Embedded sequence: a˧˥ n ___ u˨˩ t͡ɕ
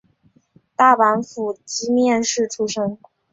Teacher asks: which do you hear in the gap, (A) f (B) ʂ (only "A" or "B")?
A